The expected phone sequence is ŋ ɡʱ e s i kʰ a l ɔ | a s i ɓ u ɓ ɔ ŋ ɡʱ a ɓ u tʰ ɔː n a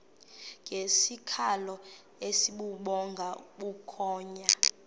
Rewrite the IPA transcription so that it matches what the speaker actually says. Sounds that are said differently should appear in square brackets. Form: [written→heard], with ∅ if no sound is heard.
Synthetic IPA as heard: ŋ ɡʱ e s i kʰ a l ɔ | [a→e] s i ɓ u ɓ ɔ ŋ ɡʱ a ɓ u [tʰ→kʰ] ɔː [n→ɲ] a